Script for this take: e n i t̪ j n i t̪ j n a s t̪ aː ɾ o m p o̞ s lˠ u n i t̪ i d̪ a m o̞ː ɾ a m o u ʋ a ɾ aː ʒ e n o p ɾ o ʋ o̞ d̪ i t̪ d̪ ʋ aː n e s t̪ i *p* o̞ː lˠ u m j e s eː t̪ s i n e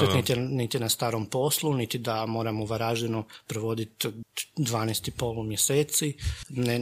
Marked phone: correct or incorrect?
correct